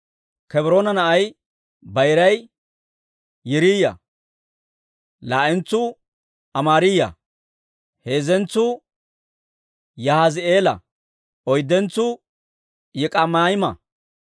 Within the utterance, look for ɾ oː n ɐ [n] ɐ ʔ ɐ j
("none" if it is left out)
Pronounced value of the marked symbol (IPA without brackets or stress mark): n